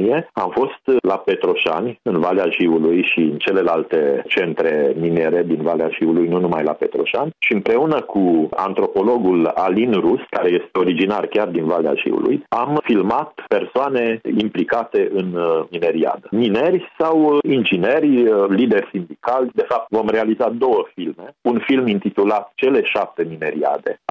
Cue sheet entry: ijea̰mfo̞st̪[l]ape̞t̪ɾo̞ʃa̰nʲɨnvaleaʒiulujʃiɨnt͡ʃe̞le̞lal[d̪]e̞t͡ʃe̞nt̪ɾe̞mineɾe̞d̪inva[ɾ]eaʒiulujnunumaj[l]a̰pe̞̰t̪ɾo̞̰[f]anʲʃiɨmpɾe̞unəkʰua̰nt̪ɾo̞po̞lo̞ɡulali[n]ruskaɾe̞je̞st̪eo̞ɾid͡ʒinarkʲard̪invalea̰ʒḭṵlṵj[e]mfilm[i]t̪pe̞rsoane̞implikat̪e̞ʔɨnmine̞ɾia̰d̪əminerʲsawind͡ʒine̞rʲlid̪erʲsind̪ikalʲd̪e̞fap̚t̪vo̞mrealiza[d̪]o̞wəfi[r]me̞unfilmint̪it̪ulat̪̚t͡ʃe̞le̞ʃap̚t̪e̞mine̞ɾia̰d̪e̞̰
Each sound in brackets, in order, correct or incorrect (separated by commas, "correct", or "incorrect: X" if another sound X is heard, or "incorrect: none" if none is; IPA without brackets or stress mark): correct, incorrect: t̪, incorrect: l, correct, incorrect: ʃ, correct, incorrect: a, incorrect: a, correct, incorrect: l